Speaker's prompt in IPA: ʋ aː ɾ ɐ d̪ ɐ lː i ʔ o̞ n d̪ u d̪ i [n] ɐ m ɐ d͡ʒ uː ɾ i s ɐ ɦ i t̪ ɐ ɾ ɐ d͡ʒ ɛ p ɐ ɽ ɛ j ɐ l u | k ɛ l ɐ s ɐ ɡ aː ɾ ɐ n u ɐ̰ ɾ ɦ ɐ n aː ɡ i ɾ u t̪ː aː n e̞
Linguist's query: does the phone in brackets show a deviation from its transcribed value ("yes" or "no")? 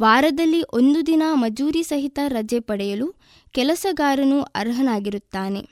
no